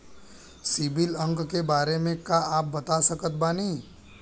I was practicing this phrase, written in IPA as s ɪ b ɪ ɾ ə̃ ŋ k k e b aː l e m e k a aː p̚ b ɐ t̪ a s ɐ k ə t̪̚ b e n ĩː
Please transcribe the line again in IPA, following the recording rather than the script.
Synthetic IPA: s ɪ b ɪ l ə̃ ŋ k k e b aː ɾ e m ẽ k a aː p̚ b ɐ t̪ a s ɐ k ə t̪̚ b a n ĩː